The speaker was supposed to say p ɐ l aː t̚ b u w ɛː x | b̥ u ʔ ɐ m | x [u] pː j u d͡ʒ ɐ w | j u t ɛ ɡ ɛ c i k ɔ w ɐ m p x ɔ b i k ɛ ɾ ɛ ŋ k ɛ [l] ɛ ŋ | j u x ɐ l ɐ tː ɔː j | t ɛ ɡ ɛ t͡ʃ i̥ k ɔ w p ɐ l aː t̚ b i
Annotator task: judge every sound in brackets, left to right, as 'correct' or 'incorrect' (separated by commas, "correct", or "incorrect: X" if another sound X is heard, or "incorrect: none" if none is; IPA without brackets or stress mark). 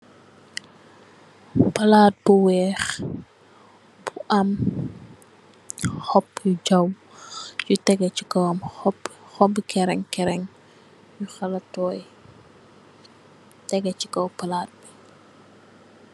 incorrect: ɔ, incorrect: ɾ